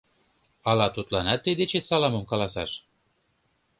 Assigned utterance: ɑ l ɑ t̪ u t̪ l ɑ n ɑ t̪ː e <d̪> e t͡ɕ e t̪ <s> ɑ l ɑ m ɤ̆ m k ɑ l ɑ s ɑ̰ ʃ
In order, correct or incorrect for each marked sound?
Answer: correct, correct

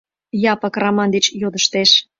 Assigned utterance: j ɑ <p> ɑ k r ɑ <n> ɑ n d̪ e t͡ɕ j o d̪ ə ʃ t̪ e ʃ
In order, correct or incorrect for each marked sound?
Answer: correct, incorrect

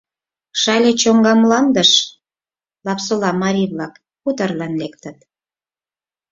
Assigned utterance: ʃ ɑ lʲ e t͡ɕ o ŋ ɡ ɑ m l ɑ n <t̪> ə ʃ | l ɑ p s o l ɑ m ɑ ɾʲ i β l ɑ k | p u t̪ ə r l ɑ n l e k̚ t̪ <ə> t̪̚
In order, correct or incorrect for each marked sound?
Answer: incorrect, correct

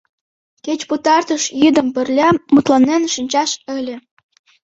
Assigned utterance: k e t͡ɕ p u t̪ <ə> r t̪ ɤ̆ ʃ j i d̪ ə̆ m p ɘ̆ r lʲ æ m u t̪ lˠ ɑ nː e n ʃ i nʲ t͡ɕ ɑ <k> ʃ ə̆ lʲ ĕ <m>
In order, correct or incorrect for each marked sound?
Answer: incorrect, incorrect, incorrect

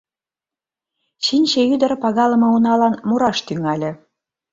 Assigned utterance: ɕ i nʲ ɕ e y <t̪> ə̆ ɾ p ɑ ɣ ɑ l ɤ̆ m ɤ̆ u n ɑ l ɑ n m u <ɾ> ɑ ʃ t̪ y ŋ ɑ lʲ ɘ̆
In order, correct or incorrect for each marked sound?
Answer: incorrect, correct

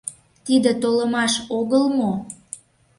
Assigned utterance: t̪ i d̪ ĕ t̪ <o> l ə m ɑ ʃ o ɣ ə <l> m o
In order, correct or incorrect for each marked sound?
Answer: correct, correct

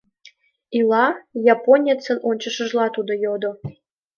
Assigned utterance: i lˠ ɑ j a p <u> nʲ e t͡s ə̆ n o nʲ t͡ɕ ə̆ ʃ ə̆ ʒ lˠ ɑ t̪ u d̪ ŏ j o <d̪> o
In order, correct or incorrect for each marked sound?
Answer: incorrect, correct

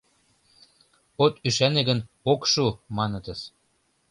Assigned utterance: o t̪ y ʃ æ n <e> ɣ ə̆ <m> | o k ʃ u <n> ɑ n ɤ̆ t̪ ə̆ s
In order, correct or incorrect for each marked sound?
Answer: correct, incorrect, incorrect

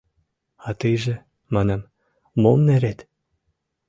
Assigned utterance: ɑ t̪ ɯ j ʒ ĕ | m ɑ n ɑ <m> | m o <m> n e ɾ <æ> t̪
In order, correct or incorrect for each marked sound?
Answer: correct, correct, incorrect

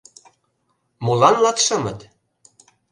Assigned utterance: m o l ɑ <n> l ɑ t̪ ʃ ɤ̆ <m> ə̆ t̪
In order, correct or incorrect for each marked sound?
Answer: correct, correct

